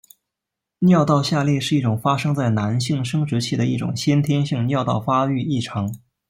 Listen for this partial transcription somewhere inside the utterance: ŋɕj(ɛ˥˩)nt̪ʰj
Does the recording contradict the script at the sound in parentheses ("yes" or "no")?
yes